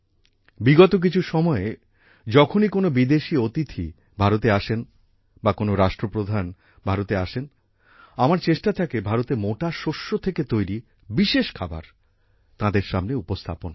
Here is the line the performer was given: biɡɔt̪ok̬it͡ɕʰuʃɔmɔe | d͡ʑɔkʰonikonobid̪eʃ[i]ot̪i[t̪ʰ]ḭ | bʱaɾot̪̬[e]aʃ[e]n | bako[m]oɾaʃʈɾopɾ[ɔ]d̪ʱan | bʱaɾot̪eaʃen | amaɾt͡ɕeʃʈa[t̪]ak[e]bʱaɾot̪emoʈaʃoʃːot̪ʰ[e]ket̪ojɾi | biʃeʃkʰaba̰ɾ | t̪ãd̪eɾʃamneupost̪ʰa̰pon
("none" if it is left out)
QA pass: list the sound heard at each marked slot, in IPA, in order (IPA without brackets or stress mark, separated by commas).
i, t̪ʰ, e, e, n, o, t̪ʰ, e, e